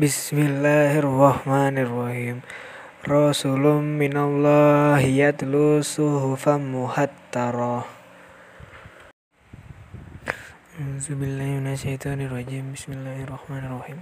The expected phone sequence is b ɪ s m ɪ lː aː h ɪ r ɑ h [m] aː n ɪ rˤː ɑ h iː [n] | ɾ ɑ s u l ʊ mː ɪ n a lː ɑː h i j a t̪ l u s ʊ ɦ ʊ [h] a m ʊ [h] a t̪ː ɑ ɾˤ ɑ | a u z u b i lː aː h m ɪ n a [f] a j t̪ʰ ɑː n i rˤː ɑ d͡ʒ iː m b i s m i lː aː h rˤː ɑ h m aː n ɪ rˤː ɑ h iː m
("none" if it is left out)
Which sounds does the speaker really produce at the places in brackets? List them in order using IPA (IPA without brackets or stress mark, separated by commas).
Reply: m, m, f, h, ʃ